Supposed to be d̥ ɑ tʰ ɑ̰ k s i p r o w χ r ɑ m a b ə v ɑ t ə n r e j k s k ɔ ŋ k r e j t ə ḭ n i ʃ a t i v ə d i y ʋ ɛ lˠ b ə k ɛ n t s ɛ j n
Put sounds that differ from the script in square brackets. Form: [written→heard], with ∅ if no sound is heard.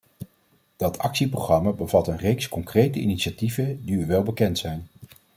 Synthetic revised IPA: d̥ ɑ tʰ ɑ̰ k s i p r o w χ r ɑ m a b ə v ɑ t ə n r e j k s k ɔ ŋ k r e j t ə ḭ n i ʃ a t i v ə d i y ʋ ɛ lˠ b ə k ɛ n t s ɛ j n